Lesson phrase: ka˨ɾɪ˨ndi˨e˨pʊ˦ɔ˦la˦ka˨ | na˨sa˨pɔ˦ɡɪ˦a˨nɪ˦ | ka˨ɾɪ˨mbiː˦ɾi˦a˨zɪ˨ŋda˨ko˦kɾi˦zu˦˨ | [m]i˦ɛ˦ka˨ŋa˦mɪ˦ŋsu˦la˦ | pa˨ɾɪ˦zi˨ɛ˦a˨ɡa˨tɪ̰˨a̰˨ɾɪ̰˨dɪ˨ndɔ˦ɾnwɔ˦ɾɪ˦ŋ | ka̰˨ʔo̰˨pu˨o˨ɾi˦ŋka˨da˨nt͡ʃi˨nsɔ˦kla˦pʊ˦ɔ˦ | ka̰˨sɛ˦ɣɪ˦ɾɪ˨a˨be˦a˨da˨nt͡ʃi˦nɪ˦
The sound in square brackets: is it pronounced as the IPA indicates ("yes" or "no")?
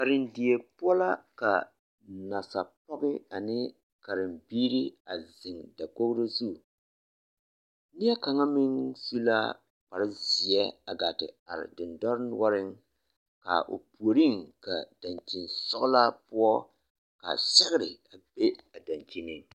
no